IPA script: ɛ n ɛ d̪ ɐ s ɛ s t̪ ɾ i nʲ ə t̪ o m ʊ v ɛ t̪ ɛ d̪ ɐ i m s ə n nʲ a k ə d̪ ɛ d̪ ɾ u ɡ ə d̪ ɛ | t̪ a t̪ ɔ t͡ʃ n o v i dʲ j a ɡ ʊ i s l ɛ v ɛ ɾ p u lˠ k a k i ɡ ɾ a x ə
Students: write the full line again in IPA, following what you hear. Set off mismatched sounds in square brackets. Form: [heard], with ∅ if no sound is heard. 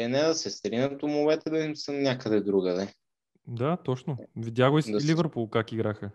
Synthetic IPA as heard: ɛ n ɛ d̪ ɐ s ɛ s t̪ ɾ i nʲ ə t̪ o m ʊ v ɛ t̪ ɛ d̪ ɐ i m s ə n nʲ a k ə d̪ ɛ d̪ ɾ u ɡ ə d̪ ɛ | [d̪] a t̪ ɔ t͡ʃ n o v i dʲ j a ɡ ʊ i s l [i] v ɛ ɾ p u lˠ k a k i ɡ ɾ a x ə